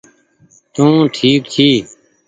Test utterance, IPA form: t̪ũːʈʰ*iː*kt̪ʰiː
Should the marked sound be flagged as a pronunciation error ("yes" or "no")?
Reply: no